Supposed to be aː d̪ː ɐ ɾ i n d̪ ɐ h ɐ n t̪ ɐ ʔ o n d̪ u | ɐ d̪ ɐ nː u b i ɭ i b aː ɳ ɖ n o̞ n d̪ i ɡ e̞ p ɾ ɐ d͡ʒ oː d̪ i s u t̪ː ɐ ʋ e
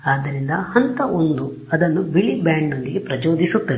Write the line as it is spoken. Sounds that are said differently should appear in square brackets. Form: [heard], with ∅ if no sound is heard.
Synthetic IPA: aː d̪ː ɐ ɾ i n d̪ ɐ h ɐ n t̪ ɐ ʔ o n d̪ u | ɐ d̪ ɐ nː u b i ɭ i b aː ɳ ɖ n o̞ n d̪ i ɡ e̞ p ɾ ɐ d͡ʒ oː d̪ i s u t̪ː ɐ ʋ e